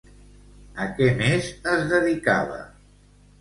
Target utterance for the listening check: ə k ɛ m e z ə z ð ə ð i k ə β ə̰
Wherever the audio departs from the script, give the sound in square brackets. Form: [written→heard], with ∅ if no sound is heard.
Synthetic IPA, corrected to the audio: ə k ɛ m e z ə z ð ə ð i k [ə→a] β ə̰